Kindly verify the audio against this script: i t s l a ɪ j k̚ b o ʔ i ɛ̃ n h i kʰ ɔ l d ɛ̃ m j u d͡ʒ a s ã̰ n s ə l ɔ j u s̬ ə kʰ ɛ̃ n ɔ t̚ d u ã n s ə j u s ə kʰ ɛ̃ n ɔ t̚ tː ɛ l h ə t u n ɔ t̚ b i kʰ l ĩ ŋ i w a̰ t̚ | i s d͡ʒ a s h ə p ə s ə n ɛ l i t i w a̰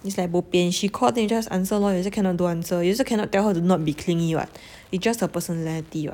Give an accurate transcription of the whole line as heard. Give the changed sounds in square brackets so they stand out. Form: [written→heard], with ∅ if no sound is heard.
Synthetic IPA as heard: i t s l a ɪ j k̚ b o [ʔ→p] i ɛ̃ n [h→ʃ] i kʰ ɔ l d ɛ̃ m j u d͡ʒ a s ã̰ n s ə l ɔ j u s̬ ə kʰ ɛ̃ n ɔ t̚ d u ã n s ə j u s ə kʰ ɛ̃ n ɔ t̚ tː ɛ l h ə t u n ɔ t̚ b i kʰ l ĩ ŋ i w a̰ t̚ | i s d͡ʒ a s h ə p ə s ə n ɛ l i t i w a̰